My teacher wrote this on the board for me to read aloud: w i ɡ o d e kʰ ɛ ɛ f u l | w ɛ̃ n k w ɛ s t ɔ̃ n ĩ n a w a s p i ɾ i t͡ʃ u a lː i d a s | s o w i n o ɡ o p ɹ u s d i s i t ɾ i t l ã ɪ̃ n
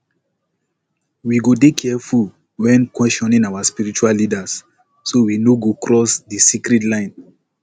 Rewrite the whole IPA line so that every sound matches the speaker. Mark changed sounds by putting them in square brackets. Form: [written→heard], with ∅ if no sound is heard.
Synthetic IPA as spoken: w i ɡ o d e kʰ ɛ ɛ f u l | w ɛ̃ n k w ɛ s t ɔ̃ n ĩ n a w a s p i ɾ i t͡ʃ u a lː i d a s | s o w i n o ɡ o [p→k] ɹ [u→ɔ] s d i s i [t→k] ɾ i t l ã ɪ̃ n